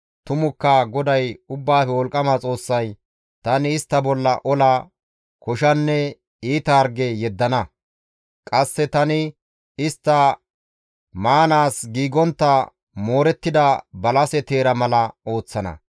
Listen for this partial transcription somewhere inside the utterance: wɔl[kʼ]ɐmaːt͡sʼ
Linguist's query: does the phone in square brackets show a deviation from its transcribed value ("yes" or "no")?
no